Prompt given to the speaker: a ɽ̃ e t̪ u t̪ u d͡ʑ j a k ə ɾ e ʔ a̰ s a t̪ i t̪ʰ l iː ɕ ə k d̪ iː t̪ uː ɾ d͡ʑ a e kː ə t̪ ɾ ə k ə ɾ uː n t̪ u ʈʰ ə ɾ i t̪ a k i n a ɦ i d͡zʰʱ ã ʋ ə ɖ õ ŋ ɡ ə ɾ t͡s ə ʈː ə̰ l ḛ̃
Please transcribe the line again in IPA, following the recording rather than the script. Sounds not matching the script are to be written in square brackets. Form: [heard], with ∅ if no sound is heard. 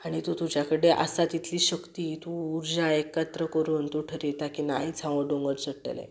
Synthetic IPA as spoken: a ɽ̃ [i] t̪ u t̪ u d͡ʑ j a k ə [ɽ] e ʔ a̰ s a t̪ i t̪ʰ l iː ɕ ə k [t̪] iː t̪ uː ɾ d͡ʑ a e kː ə t̪ ɾ ə k ə ɾ uː n t̪ u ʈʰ ə ɾ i t̪ a k i n a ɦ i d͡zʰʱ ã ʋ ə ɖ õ ŋ ɡ ə ɾ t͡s ə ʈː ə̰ l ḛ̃